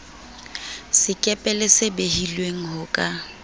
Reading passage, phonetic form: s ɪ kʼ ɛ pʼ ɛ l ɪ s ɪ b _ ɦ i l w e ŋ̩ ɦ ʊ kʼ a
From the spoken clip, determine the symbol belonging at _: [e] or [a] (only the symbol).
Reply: e